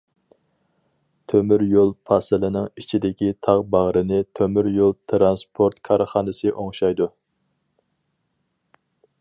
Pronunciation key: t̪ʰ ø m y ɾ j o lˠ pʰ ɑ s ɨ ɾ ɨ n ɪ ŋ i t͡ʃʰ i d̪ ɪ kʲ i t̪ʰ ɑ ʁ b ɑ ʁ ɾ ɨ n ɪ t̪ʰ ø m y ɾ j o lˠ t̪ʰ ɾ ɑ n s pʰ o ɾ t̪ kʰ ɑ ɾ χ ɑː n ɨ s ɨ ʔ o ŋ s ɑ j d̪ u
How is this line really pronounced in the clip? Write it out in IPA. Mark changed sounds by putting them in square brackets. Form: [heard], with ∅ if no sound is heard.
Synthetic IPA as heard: t̪ʰ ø m y ɾ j o lˠ pʰ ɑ s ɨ [l] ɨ n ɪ ŋ i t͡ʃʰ i d̪ ɪ kʲ i t̪ʰ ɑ ʁ b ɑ ʁ ɾ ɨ n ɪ t̪ʰ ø m y ɾ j o lˠ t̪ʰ ɾ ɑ n s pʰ o ɾ t̪ kʰ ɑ ɾ χ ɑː n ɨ s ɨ ʔ o ŋ [ʃ] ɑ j d̪ u